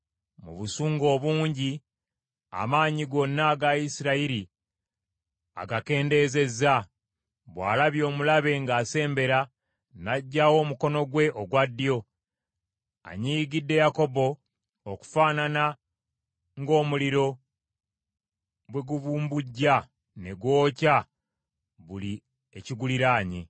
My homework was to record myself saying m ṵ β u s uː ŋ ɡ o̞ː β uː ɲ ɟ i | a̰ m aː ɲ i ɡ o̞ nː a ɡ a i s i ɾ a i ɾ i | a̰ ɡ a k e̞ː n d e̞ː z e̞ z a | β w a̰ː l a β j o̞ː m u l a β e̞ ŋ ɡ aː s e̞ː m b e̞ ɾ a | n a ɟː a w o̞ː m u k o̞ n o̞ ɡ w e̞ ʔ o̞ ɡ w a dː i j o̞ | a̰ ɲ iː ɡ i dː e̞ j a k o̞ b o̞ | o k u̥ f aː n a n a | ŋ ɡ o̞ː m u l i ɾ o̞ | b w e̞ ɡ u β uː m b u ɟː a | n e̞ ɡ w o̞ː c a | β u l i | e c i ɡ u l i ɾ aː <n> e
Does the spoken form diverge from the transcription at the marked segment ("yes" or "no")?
yes